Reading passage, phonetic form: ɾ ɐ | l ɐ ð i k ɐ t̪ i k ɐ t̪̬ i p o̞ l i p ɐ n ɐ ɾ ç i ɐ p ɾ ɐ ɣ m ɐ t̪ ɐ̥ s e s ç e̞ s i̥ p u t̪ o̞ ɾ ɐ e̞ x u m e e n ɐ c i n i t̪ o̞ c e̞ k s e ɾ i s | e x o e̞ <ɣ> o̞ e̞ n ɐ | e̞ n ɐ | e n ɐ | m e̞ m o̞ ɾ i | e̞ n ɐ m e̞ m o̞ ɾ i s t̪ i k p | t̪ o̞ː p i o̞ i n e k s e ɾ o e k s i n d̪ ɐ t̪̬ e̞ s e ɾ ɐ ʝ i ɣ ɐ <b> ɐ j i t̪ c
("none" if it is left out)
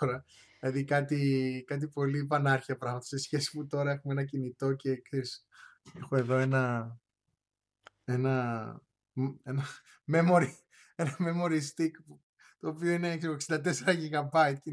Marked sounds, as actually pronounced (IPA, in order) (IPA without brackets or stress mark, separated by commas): ð, b